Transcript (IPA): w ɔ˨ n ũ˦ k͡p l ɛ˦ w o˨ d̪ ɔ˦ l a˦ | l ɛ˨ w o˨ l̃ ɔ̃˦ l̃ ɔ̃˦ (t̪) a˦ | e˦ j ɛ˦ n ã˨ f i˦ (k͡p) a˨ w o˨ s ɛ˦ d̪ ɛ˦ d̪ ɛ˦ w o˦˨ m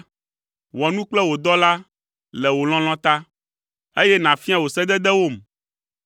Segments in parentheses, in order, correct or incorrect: correct, incorrect: none

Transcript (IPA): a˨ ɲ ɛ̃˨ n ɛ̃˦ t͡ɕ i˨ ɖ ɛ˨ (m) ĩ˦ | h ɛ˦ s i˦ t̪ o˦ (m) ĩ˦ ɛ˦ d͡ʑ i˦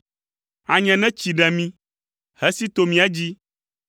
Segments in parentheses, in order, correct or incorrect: correct, correct

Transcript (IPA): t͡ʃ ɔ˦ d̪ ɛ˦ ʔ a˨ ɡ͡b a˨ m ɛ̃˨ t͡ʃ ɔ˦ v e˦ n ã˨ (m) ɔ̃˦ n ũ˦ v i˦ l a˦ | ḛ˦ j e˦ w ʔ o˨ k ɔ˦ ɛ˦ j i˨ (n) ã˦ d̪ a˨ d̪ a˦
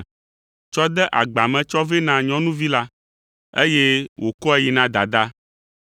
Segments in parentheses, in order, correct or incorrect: incorrect: ɲ, correct

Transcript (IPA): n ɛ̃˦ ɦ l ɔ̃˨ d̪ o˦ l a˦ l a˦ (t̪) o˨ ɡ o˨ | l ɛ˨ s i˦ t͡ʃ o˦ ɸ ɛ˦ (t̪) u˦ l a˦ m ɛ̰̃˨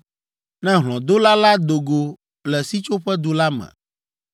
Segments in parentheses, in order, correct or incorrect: incorrect: d̪, incorrect: d̪

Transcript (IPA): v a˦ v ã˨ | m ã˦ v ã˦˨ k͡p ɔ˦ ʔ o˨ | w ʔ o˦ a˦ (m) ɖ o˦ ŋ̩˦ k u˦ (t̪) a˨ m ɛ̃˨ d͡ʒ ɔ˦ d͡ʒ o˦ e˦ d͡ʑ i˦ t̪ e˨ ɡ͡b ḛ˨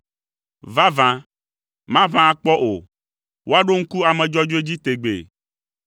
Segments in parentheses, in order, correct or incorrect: incorrect: none, incorrect: none

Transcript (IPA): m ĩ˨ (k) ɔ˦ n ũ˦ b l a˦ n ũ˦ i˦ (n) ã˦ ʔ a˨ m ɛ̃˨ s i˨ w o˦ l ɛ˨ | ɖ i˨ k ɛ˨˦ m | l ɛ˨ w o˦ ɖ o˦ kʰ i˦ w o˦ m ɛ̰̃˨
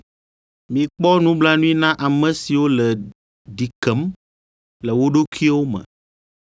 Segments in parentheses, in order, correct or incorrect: incorrect: k͡p, correct

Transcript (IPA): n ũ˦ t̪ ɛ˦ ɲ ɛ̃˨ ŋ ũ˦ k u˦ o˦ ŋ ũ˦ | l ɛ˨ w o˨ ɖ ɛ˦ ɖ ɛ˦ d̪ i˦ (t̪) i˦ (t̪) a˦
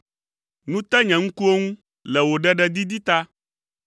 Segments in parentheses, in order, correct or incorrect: incorrect: d̪, correct

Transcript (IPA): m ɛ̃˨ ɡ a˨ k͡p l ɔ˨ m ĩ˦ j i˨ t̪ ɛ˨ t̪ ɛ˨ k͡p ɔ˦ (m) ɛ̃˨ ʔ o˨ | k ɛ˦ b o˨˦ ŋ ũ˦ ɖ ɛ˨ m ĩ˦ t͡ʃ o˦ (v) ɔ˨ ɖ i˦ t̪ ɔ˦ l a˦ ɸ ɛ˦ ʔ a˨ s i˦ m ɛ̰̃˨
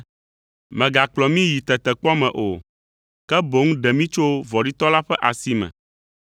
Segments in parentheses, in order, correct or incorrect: correct, correct

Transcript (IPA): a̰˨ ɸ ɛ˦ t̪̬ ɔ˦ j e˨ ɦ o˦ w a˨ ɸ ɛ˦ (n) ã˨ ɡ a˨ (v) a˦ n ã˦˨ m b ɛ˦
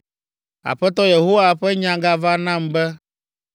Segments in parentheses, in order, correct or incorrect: incorrect: ɲ, correct

